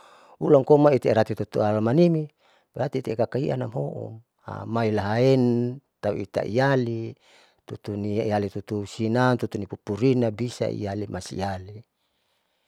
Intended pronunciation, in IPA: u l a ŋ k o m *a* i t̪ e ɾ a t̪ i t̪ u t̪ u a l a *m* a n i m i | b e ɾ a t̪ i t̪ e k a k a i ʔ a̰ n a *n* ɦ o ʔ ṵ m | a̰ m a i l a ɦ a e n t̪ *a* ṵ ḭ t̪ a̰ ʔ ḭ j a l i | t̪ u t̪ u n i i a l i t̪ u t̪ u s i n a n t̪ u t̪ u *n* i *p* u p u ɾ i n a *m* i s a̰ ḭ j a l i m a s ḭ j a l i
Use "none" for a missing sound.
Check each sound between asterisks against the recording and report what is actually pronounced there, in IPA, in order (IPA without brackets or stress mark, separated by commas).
a, m, m, a, n, p, b